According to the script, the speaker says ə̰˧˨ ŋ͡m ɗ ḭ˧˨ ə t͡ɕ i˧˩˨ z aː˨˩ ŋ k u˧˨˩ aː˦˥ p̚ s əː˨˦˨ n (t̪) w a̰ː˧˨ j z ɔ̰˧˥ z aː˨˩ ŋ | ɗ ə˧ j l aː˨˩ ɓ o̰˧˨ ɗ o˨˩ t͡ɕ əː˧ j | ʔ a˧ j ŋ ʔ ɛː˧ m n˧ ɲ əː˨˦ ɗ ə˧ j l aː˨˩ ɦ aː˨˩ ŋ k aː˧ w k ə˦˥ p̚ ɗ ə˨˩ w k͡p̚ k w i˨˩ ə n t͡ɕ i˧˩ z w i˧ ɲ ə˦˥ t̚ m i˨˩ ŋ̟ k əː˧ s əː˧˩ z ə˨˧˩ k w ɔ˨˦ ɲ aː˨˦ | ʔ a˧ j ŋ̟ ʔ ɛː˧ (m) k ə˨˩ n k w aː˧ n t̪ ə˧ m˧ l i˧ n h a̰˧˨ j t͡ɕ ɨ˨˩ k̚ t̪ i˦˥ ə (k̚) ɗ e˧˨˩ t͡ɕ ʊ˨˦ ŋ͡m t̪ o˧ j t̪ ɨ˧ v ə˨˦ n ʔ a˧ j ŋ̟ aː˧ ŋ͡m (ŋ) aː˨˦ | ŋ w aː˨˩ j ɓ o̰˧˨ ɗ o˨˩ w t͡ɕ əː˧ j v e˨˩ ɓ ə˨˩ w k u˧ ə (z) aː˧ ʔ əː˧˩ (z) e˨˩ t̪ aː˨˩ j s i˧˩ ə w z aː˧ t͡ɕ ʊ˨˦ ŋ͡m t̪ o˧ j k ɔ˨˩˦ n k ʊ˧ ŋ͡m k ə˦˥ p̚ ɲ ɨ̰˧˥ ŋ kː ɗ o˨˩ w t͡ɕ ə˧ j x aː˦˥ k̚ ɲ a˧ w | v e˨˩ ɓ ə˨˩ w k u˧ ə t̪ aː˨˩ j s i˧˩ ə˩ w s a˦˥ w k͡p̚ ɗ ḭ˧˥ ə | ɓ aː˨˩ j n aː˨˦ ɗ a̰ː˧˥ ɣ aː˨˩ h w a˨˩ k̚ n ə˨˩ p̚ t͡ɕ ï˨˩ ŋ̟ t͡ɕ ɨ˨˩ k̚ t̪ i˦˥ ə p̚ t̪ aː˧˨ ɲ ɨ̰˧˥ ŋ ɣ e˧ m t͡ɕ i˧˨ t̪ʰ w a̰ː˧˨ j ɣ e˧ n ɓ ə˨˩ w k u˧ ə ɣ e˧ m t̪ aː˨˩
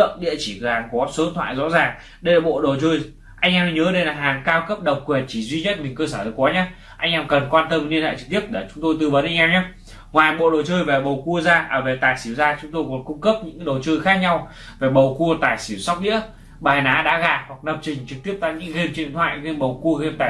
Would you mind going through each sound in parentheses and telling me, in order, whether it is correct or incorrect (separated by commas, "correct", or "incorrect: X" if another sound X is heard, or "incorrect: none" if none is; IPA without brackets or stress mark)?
incorrect: t̪ʰ, correct, incorrect: p̚, incorrect: ɲ, correct, incorrect: v